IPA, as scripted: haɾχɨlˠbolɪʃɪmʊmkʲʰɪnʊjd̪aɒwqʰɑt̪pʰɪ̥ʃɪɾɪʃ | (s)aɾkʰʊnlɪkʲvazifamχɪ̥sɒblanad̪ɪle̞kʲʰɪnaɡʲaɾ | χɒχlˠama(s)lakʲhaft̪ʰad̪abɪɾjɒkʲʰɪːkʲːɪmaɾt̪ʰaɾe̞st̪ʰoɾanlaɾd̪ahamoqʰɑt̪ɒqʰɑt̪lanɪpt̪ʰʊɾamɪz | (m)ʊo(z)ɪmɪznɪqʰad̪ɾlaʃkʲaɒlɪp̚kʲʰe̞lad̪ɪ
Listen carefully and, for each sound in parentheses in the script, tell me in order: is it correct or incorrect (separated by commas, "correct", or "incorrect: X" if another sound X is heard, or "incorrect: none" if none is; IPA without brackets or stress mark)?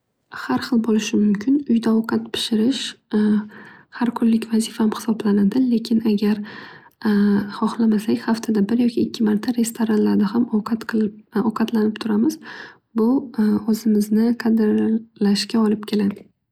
incorrect: h, correct, incorrect: b, correct